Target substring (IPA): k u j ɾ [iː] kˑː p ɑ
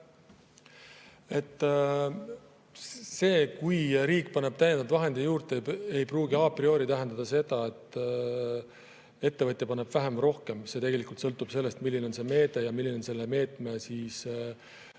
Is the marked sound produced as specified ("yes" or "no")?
yes